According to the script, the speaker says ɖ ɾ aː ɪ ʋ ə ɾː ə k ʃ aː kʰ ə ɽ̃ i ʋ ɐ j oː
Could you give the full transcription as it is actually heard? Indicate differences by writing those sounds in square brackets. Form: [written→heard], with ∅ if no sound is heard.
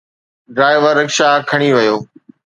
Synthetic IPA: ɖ ɾ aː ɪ ʋ ə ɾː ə k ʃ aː kʰ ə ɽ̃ i ʋ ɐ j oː